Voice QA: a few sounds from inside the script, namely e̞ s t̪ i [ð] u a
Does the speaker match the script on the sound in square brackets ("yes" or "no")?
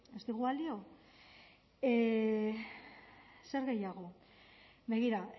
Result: no